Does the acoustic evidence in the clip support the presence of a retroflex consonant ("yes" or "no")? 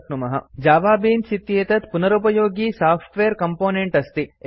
yes